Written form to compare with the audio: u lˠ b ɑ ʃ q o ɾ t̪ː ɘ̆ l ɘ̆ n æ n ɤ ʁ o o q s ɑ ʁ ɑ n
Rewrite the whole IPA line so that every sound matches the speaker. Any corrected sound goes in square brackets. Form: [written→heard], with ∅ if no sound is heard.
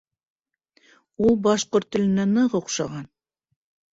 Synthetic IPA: u lˠ b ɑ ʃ q o ɾ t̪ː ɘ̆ l ɘ̆ n æ n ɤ ʁ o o q [s→ʃ] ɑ ʁ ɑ n

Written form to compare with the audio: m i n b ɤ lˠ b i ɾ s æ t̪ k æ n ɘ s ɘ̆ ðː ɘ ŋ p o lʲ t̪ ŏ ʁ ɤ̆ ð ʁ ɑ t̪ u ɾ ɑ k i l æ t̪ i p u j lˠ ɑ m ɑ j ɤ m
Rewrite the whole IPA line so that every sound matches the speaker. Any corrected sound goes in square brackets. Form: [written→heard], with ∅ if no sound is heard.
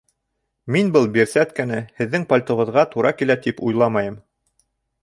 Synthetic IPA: m i n b ɤ lˠ b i ɾ s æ t̪ k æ n ɘ [s→h] ɘ̆ ðː ɘ ŋ p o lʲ t̪ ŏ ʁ ɤ̆ ð ʁ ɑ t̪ u ɾ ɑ k i l æ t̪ i p u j lˠ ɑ m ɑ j ɤ m

